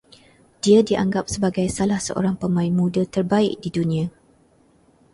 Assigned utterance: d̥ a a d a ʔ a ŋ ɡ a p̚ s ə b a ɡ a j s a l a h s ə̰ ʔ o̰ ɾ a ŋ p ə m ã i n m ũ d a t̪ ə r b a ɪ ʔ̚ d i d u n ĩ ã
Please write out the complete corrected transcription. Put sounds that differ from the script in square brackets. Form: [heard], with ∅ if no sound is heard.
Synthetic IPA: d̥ [i] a d [i] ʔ a ŋ ɡ a p̚ s ə b a ɡ a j s a l a h s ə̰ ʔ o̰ ɾ a ŋ p ə m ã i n m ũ d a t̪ ə r b a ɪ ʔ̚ d i d u n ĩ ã